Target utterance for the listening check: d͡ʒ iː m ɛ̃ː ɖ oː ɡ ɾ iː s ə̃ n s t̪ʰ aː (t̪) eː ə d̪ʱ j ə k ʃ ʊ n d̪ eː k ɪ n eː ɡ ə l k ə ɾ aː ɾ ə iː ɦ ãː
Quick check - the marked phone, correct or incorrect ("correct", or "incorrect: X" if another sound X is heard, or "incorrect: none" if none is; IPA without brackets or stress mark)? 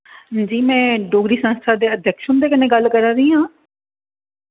incorrect: d̪